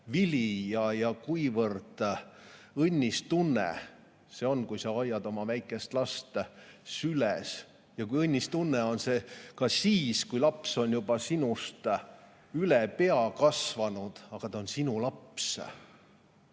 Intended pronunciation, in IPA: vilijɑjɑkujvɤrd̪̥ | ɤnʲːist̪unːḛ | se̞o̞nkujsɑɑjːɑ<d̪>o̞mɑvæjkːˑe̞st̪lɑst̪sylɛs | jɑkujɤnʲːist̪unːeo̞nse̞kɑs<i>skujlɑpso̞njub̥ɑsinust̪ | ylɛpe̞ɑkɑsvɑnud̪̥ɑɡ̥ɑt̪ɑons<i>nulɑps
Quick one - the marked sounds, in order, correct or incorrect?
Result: correct, incorrect, correct

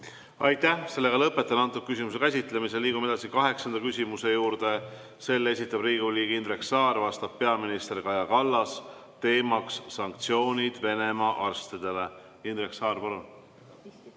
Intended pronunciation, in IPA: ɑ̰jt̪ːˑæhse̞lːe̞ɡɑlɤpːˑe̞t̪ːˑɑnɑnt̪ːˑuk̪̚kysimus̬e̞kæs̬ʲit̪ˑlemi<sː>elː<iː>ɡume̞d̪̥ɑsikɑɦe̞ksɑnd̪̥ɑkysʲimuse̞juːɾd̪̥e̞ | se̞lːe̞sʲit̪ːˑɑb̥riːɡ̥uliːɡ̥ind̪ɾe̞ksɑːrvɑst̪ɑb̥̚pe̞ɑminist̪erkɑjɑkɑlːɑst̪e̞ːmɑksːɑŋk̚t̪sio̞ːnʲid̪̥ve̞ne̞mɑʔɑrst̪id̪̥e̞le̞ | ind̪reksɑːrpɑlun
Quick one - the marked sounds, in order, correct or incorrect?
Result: incorrect, correct

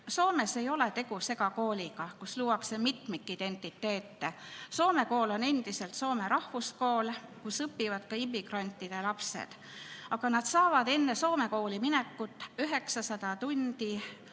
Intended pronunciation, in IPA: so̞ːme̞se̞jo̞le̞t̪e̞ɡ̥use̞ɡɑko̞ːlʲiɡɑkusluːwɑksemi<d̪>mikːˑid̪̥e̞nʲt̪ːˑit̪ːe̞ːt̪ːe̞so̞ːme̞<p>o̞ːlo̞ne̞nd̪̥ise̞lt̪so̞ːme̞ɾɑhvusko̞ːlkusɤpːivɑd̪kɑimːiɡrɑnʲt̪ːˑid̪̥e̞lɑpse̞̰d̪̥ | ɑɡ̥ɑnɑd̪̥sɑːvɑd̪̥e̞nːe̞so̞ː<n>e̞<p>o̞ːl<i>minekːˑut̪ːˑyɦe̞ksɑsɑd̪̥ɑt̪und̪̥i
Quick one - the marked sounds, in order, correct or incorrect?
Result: incorrect, incorrect, incorrect, incorrect, correct

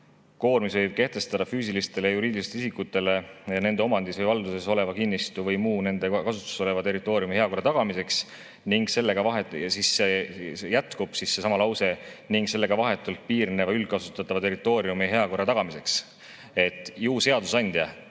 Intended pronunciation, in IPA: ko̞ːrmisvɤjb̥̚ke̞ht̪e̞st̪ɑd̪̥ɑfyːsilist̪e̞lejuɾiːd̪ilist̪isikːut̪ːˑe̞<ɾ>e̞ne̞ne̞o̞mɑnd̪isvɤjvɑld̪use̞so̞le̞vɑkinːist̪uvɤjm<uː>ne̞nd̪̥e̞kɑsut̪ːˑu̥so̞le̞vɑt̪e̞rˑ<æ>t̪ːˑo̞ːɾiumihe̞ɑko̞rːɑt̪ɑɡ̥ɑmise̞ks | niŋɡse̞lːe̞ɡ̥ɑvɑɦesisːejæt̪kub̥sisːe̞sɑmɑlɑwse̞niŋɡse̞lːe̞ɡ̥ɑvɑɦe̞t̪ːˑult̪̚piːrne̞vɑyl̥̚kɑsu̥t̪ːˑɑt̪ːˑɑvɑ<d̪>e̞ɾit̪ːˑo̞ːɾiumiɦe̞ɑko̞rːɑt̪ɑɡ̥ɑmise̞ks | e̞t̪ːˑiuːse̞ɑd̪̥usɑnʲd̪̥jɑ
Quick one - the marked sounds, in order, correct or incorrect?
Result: incorrect, correct, incorrect, incorrect

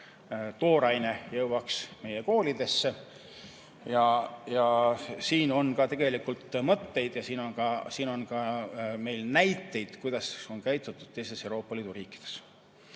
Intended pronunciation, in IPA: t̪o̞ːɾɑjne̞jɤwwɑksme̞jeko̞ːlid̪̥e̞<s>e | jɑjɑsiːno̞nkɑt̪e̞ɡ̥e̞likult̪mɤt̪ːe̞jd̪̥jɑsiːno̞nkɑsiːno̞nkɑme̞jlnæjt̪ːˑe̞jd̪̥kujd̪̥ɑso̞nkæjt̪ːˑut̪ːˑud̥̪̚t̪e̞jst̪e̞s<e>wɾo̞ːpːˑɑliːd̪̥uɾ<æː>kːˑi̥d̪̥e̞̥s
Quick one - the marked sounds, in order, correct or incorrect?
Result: incorrect, correct, incorrect

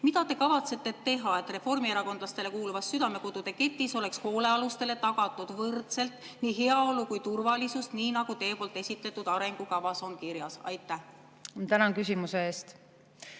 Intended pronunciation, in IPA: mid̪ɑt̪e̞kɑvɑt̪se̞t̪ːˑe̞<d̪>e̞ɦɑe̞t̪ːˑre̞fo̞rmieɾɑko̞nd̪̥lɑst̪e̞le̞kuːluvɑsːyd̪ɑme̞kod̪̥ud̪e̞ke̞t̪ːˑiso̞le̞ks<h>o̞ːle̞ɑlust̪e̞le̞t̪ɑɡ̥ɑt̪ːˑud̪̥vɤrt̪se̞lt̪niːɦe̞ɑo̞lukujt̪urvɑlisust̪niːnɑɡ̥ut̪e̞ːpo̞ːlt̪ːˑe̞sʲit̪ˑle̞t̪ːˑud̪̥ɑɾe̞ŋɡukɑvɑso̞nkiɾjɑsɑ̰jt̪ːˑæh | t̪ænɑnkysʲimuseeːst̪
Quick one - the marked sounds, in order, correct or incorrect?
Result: incorrect, correct

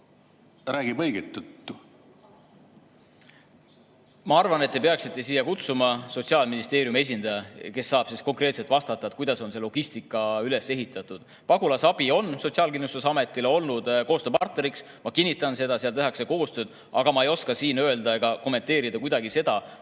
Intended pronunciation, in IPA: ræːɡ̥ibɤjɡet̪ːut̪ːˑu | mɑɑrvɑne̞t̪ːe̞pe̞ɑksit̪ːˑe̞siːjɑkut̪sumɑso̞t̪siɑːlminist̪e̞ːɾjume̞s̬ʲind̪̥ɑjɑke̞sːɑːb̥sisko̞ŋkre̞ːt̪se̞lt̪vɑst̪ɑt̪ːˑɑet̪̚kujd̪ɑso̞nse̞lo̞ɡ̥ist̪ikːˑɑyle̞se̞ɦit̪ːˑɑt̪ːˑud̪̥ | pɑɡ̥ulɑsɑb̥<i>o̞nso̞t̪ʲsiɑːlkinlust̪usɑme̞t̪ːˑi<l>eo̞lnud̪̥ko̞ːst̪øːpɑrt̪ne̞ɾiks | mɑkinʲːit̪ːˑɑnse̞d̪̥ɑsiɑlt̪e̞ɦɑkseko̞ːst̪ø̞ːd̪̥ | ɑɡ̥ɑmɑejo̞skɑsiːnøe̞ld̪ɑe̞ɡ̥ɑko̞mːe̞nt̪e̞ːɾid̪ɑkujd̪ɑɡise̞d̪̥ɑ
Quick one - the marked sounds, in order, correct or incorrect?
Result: correct, correct

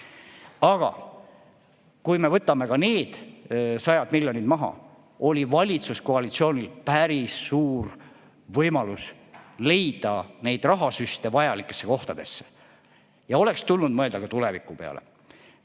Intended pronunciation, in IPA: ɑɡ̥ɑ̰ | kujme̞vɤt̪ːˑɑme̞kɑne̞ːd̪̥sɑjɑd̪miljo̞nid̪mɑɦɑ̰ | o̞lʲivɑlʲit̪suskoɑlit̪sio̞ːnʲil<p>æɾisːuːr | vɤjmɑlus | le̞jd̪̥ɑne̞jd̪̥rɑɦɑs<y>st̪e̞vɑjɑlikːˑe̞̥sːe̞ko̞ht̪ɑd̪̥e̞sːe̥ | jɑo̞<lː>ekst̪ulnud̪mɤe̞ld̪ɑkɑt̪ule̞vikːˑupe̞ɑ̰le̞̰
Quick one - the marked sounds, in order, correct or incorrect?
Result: correct, correct, incorrect

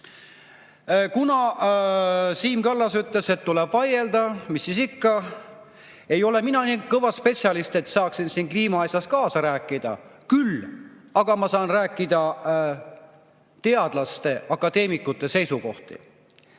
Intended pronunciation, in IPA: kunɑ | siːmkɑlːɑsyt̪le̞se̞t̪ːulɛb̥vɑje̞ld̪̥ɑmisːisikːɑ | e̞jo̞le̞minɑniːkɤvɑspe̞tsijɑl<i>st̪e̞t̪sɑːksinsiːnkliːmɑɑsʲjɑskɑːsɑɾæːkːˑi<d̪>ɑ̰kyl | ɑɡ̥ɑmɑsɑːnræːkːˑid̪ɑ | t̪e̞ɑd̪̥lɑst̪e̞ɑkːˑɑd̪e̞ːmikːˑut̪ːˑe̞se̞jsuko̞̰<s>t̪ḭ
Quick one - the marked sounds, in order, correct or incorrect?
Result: correct, correct, incorrect

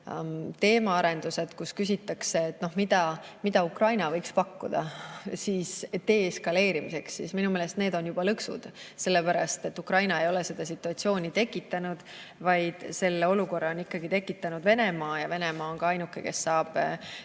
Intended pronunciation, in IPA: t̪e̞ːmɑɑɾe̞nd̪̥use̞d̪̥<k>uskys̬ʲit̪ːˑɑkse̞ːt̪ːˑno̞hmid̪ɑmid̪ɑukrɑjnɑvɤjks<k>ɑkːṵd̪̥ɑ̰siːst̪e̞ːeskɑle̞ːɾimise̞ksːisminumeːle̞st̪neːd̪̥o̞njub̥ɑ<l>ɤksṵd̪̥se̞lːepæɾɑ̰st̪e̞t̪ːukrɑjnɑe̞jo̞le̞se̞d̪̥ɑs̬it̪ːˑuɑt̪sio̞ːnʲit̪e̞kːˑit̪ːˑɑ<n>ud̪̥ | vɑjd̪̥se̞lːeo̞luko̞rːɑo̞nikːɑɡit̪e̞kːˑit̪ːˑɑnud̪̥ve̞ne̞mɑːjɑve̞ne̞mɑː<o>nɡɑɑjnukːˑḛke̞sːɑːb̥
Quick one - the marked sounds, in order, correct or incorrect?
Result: correct, incorrect, correct, correct, correct

